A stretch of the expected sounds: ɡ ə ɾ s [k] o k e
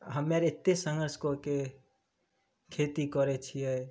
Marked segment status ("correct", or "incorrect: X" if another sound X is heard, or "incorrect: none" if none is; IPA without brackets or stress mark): correct